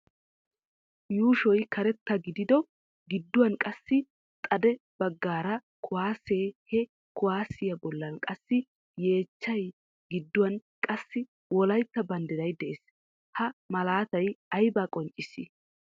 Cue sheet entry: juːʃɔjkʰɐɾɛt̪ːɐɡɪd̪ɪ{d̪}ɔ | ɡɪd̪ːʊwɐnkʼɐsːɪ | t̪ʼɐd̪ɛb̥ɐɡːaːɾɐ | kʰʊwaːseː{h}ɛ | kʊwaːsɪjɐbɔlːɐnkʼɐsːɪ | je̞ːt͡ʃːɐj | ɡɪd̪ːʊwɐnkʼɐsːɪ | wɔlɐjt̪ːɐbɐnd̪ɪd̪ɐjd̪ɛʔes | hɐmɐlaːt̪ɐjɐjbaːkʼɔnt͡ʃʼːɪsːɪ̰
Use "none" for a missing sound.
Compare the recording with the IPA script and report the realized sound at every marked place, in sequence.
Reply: d̪, h

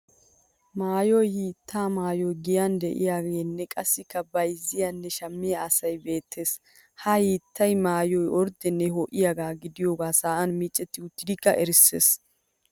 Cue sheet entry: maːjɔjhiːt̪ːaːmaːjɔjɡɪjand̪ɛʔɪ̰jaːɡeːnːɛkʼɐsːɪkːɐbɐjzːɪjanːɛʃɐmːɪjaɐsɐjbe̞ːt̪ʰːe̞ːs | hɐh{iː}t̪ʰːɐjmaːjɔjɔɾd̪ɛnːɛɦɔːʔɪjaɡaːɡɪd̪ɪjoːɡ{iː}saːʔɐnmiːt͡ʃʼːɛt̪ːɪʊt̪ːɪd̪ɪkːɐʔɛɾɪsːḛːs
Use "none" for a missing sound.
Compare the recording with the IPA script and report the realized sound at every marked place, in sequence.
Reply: iː, aː

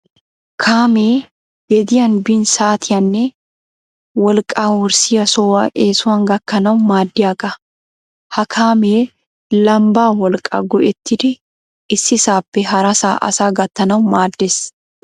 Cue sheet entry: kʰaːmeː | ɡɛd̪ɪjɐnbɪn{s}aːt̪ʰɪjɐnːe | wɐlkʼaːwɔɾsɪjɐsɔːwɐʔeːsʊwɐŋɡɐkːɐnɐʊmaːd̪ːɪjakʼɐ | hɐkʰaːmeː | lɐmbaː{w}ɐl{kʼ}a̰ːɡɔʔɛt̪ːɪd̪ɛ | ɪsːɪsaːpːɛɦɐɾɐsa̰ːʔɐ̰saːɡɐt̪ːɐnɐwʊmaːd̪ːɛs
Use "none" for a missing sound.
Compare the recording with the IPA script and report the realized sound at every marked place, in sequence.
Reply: s, w, kʼ

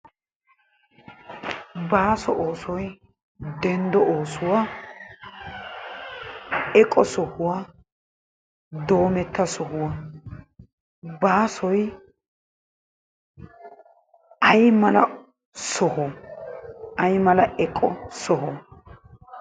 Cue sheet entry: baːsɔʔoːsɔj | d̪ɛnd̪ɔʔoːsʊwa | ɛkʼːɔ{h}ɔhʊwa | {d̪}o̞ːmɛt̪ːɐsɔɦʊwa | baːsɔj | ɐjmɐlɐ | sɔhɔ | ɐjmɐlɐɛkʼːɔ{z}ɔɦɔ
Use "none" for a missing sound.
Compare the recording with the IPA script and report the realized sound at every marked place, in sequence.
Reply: s, d̪, s

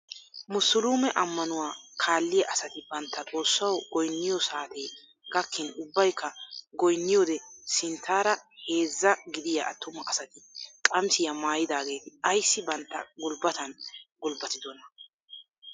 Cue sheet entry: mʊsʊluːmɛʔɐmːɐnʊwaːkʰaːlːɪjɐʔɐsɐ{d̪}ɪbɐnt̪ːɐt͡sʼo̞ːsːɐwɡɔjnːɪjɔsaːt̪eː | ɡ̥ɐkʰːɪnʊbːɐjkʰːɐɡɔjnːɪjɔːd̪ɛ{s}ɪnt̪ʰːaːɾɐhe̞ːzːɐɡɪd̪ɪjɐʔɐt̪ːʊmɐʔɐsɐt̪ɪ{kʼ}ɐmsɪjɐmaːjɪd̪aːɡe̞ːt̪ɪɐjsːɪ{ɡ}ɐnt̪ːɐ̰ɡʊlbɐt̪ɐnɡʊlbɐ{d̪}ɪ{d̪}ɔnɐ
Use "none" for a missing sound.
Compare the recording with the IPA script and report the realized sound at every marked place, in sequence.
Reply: t̪, s, kʼ, b, t̪, d̪

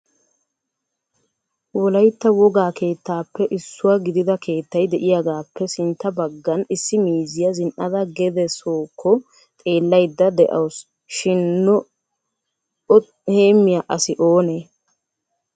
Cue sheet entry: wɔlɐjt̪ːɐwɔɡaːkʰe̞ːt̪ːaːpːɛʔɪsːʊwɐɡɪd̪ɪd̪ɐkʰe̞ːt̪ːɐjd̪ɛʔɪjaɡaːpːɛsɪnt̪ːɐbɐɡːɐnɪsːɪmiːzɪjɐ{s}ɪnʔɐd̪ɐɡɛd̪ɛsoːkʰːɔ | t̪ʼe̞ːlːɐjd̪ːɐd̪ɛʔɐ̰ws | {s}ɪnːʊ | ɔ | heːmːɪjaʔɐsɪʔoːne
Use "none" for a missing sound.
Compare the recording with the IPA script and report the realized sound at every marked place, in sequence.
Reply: z, ʃ

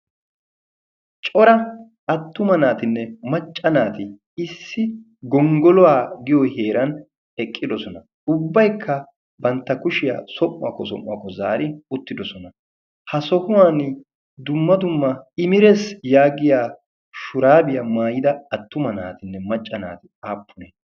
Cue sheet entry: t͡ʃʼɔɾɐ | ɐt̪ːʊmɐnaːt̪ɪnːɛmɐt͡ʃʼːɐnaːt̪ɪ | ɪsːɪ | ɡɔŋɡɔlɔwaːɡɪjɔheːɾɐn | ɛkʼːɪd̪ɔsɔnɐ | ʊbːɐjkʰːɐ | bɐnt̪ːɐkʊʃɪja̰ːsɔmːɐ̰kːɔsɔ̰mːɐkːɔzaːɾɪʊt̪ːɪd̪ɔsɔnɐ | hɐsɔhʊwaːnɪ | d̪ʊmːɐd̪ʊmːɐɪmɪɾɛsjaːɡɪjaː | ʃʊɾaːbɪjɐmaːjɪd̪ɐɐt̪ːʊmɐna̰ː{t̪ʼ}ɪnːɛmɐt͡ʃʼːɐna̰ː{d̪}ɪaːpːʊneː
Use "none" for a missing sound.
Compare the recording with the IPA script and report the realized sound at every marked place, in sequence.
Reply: t̪, t̪

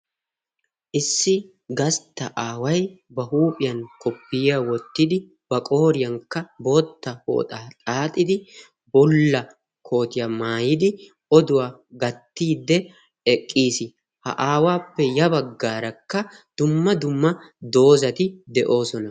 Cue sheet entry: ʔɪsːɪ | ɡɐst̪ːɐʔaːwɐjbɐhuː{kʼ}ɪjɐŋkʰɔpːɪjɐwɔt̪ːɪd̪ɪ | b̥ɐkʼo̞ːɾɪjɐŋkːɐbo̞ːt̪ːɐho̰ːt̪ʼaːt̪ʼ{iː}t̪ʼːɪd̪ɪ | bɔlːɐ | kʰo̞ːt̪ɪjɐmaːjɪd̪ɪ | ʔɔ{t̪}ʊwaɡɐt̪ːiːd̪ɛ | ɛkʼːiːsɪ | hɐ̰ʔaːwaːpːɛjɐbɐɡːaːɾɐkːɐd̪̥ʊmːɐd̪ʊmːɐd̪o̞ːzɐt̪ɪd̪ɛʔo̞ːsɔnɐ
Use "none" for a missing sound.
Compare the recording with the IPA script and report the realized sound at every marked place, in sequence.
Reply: pʼ, aː, d̪

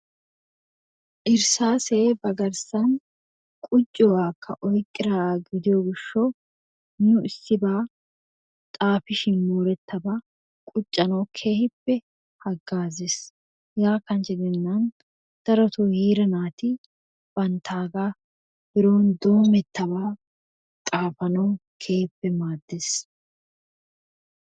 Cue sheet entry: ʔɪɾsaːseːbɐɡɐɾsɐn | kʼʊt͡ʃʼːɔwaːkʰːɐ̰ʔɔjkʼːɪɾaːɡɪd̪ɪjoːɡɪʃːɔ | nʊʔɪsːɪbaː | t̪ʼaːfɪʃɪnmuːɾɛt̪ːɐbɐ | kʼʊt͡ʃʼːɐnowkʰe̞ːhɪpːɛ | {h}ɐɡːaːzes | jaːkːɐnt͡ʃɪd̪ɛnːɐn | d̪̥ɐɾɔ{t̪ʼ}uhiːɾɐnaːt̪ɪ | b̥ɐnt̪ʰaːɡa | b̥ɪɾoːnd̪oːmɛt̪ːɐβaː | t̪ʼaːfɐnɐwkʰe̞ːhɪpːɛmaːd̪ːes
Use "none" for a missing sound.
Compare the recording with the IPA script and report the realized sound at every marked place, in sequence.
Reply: h, t̪

